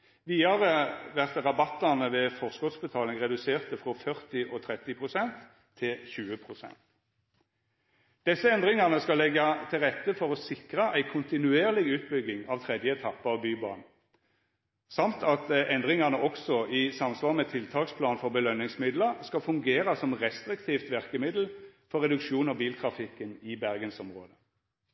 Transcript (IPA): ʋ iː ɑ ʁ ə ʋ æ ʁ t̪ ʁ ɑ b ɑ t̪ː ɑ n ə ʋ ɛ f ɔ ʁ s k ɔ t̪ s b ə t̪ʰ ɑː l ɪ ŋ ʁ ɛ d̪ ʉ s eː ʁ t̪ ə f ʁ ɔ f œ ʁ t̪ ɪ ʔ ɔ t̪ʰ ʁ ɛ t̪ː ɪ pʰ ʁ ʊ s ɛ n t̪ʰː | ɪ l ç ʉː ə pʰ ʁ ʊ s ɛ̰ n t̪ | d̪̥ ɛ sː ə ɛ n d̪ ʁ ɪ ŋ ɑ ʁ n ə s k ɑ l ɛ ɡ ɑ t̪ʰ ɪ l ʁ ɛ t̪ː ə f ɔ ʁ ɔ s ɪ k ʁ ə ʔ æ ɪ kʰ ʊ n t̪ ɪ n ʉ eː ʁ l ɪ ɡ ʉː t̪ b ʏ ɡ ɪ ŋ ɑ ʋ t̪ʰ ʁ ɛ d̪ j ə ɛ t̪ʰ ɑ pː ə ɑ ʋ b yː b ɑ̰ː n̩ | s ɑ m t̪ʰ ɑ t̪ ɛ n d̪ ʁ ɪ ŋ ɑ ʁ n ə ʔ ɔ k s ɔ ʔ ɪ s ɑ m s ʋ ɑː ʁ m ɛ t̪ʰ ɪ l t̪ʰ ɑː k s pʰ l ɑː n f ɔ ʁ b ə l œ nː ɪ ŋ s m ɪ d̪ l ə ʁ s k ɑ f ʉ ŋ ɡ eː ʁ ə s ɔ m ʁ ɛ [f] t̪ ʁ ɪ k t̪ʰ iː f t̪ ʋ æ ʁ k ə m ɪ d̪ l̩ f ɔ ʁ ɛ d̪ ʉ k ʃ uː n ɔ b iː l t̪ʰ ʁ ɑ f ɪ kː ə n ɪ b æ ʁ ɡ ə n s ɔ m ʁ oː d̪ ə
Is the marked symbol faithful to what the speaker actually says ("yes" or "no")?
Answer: no